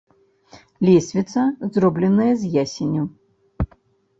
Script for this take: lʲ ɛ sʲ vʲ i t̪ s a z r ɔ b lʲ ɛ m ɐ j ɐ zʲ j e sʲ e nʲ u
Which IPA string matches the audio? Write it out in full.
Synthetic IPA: lʲ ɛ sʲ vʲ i t̪ s ɐ z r ɔ b lʲ ɛ n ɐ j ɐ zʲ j a sʲ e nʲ u